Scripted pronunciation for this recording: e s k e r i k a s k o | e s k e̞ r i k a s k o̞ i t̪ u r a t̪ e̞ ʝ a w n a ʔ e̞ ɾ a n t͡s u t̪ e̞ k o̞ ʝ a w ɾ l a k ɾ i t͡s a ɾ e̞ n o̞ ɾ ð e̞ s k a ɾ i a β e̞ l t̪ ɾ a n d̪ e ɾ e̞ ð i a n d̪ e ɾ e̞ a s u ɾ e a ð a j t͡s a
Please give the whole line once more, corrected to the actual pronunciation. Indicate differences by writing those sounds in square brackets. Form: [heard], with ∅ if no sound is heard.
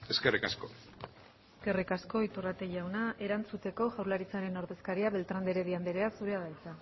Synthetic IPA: e s k e r i k a s k o | e s k e̞ r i k a s k o̞ i t̪ u r a t̪ e̞ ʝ a w n a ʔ e̞ ɾ a n t͡s u t̪ e̞ k o̞ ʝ a w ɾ l a [∅] ɾ i t͡s a ɾ e̞ n o̞ ɾ ð e̞ s k a ɾ i a β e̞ l t̪ ɾ a n d̪ e ɾ e̞ ð i a n d̪ e ɾ e̞ a s u ɾ e a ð a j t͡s a